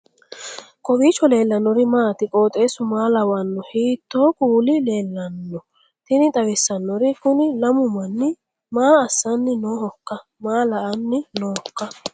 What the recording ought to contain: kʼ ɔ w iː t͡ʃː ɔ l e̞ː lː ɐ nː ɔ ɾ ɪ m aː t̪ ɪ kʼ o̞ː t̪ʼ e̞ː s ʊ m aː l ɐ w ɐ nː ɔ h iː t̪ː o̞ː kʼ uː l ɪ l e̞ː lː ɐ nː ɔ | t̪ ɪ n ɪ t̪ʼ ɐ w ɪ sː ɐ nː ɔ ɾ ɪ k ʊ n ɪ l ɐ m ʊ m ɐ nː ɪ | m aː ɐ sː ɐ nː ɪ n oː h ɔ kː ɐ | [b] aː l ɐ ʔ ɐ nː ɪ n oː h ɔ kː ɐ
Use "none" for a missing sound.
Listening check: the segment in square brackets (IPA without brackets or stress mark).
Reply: m